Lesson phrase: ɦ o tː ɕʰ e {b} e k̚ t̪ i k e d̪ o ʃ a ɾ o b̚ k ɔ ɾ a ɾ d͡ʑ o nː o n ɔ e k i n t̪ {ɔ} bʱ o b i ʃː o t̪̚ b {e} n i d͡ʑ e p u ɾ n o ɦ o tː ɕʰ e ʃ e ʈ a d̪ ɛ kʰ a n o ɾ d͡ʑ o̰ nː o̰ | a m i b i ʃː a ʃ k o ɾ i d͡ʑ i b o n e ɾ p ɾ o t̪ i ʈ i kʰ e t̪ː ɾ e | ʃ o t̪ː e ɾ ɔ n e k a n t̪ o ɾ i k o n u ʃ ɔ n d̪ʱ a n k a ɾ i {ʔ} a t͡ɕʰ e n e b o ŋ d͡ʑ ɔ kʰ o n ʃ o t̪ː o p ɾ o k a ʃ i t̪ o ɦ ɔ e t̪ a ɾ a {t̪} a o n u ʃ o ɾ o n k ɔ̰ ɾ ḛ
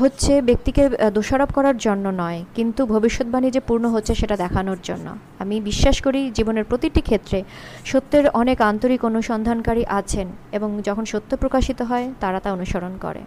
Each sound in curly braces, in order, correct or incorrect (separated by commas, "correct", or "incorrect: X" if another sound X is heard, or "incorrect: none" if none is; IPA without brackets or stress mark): correct, incorrect: u, incorrect: a, correct, correct